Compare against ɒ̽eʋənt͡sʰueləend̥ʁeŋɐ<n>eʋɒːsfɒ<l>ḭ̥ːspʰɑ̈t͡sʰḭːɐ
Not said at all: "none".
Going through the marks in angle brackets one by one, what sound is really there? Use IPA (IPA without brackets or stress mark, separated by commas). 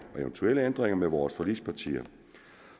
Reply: m, l